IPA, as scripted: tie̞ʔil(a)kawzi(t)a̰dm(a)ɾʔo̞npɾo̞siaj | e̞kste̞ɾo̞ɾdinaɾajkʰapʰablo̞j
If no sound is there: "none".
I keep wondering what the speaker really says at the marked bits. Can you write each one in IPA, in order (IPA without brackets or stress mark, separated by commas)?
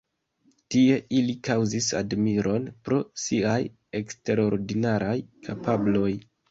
i, s, i